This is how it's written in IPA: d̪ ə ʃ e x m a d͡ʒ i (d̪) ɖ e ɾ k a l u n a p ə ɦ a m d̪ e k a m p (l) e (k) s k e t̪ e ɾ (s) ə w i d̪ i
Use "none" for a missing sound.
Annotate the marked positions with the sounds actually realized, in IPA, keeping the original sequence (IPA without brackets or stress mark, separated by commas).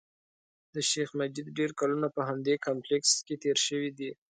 d̪, l, k, ʃ